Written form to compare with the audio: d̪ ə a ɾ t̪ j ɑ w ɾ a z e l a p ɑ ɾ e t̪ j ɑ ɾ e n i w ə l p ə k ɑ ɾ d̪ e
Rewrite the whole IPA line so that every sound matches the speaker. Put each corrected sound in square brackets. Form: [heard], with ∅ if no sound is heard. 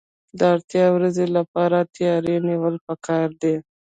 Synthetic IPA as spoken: d̪ ə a ɾ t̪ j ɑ w ɾ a z e l a p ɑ ɾ [a] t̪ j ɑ ɾ e n i w ə l p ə k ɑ ɾ d̪ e